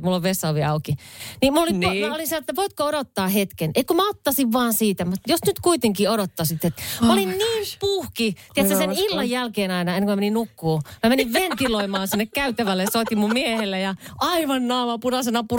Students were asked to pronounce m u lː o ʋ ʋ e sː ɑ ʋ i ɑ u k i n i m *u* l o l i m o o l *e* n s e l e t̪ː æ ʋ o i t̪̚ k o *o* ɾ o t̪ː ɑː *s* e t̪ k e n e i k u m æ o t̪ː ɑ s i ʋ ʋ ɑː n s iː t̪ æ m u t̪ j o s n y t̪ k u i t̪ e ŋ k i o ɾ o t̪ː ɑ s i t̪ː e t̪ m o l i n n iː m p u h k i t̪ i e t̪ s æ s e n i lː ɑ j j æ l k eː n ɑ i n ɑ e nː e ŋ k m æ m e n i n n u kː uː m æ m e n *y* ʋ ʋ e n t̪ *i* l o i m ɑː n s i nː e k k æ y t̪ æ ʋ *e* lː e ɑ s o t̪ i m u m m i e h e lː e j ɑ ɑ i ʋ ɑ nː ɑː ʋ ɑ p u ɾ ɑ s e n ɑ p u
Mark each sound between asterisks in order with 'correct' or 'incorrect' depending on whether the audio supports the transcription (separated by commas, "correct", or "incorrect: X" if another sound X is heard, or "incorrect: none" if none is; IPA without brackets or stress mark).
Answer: correct, incorrect: i, correct, incorrect: h, incorrect: i, correct, incorrect: æ